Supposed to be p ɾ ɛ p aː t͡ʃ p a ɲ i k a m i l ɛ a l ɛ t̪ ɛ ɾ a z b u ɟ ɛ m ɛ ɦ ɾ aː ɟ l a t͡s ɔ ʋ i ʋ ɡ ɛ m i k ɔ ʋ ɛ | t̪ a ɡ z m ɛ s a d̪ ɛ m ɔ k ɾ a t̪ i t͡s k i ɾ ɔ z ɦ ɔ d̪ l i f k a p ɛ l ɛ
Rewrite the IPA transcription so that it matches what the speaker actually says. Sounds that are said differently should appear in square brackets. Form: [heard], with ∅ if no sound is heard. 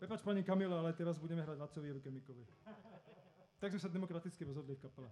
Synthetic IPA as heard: p ɾ ɛ p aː t͡ʃ p a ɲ i k a m i l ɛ a l ɛ t̪ ɛ ɾ a z b u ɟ ɛ m ɛ ɦ ɾ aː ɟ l a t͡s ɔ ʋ i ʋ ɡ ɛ m i k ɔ ʋ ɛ | t̪ a ɡ z m ɛ s a d̪ ɛ m ɔ k ɾ a t̪ i t͡s k i ɾ ɔ z ɦ ɔ d̪ l i f k a p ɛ l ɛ